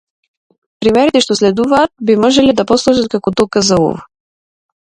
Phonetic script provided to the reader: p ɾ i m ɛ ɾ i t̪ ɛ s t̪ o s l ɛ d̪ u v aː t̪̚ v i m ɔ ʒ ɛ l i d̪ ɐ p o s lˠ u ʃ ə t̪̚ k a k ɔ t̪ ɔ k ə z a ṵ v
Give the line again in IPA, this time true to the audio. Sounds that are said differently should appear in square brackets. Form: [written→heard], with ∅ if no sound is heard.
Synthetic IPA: p ɾ i m ɛ ɾ i t̪ ɛ [s→ʃ] t̪ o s l ɛ d̪ u v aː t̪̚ [v→b] i m ɔ ʒ ɛ l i d̪ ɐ p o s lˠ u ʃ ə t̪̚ k a k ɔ t̪ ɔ k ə z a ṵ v